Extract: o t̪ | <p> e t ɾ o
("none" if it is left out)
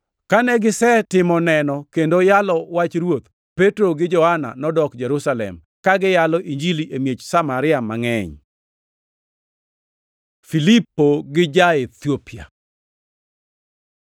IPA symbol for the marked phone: p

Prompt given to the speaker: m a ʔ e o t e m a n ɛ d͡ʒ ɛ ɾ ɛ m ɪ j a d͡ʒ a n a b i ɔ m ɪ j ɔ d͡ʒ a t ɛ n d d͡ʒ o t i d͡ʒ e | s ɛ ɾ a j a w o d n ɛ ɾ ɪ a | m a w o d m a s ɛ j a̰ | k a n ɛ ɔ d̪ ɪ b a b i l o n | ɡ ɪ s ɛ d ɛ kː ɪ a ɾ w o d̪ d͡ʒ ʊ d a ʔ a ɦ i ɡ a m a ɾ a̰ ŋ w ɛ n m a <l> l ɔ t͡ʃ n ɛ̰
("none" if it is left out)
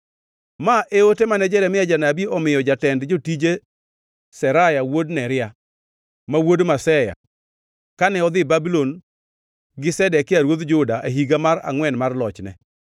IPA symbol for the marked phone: r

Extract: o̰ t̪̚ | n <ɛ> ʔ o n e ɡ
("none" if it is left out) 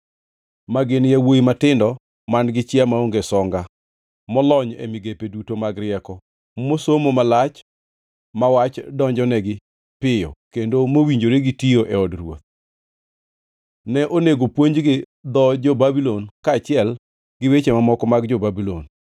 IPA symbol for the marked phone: ɛ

